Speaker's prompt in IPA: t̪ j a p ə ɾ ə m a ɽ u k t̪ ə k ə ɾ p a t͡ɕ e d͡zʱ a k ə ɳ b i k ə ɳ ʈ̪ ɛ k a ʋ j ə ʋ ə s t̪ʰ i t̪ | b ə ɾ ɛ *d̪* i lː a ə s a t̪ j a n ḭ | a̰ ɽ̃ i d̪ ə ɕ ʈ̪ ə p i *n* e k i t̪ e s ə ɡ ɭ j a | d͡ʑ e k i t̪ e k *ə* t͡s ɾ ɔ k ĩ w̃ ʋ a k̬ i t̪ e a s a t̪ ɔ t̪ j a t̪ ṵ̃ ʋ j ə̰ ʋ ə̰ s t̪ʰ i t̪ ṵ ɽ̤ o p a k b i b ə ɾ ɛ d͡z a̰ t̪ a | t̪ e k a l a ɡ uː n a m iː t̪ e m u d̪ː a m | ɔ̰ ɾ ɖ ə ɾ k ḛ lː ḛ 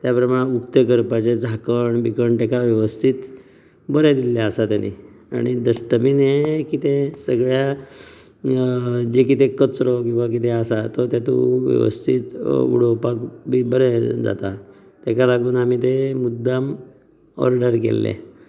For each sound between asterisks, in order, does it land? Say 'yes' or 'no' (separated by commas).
yes, yes, yes